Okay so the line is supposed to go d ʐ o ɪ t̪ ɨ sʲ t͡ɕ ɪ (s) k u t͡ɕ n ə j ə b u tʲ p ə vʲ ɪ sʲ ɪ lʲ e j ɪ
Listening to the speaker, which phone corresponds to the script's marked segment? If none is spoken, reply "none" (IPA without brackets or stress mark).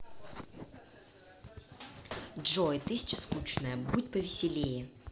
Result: s